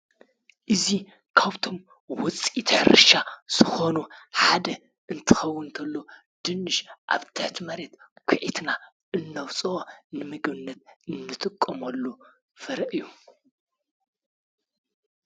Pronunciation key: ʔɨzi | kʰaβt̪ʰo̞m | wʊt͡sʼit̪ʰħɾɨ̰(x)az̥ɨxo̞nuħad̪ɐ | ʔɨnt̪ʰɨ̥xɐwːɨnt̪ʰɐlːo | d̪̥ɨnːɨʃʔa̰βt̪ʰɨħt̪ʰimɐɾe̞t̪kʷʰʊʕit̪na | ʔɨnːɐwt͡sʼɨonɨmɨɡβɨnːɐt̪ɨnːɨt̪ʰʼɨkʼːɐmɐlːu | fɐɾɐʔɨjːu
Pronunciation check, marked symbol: incorrect: ʃ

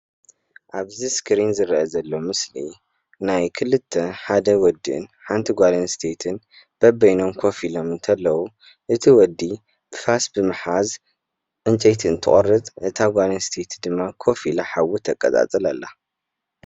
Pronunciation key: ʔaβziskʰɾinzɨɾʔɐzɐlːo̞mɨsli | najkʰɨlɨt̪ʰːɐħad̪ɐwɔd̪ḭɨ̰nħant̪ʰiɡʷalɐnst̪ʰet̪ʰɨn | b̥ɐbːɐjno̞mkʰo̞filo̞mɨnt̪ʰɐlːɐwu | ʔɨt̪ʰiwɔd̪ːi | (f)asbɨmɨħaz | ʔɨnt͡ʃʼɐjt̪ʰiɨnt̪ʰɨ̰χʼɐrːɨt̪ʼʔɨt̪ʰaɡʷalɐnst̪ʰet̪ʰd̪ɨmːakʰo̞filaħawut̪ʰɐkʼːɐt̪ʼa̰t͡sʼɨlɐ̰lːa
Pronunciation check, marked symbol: correct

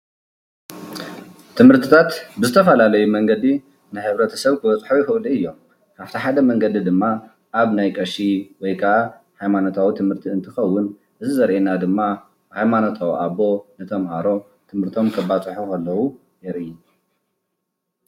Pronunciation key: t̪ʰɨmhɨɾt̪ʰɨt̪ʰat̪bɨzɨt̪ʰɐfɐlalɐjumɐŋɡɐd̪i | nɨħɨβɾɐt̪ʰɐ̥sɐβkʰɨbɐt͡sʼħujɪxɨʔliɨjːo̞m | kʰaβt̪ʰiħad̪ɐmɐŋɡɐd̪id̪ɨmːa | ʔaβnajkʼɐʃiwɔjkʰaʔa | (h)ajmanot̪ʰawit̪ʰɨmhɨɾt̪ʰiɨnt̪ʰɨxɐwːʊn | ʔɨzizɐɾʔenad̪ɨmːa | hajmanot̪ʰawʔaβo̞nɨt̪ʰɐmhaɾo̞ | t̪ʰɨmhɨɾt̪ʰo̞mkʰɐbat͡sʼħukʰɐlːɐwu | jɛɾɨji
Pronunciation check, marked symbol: correct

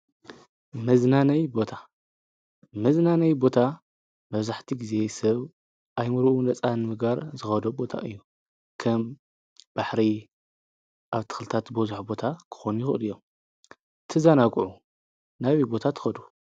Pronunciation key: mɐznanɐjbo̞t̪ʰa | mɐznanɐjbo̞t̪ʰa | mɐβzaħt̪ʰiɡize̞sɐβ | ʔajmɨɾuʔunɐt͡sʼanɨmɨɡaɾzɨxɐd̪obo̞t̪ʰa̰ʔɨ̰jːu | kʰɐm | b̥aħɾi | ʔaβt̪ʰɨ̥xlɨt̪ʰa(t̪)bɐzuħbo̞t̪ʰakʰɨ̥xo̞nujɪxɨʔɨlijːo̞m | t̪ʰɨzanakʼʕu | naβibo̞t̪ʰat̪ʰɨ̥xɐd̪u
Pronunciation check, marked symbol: correct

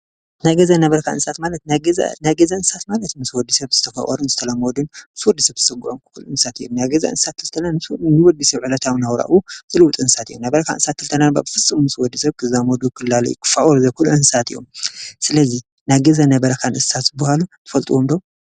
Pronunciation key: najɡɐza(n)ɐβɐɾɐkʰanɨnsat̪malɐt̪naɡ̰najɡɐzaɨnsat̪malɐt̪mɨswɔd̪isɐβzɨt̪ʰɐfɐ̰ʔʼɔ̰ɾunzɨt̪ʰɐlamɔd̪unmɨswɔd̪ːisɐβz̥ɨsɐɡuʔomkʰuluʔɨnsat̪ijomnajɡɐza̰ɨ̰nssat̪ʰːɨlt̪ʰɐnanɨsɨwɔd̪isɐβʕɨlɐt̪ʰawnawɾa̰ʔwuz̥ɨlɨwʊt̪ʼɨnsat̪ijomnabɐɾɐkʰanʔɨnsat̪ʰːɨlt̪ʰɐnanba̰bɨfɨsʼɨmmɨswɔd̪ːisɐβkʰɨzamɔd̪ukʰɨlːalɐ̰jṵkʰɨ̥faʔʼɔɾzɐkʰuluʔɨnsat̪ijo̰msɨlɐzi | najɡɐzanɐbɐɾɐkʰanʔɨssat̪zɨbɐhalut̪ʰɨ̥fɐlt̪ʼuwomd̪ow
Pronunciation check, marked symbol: correct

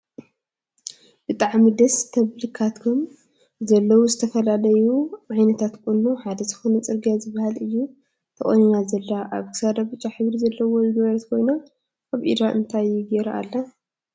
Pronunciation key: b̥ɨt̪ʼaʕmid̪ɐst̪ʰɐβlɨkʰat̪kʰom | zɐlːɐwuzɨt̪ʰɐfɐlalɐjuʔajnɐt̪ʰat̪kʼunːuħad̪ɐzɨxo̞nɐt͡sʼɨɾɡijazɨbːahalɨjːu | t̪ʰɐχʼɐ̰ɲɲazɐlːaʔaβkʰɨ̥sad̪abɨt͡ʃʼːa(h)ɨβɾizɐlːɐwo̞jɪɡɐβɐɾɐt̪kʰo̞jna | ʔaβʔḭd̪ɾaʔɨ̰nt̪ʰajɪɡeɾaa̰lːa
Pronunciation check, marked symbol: incorrect: ħ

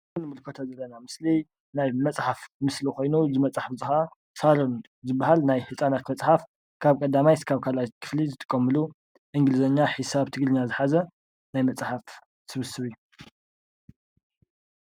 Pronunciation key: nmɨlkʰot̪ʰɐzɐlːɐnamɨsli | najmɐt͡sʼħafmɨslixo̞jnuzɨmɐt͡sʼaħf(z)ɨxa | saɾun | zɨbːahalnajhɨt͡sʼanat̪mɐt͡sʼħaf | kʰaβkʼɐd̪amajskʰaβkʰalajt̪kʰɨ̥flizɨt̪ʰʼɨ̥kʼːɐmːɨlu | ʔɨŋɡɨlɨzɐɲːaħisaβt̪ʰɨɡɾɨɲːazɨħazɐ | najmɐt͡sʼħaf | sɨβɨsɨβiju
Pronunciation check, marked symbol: correct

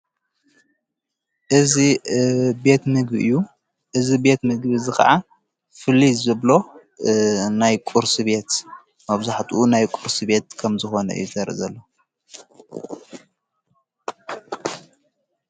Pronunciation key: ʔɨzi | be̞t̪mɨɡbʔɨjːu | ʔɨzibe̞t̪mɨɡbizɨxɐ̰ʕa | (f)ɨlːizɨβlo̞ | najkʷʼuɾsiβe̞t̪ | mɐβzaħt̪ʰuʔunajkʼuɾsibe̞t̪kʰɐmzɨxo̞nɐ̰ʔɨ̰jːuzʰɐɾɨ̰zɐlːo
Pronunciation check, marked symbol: correct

